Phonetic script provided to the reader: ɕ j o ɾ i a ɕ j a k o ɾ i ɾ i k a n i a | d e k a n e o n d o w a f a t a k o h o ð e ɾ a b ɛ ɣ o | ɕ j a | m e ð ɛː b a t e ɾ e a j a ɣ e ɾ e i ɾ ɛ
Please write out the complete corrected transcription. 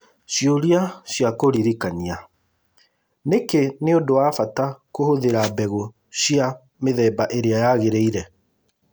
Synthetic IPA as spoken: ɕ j o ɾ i a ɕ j a k o ɾ i ɾ i k a n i a | n e k e n e o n d o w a f a t a k o h o ð e ɾ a b ɛ ɣ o | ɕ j a | m e ð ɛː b a ʔ e ɾ e a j a ɣ e ɾ e i ɾ ɛ